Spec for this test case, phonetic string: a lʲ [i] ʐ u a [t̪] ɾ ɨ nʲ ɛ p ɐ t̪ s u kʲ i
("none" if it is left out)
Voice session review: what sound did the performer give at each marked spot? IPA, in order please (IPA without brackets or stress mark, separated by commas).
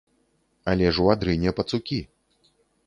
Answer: ɛ, d̪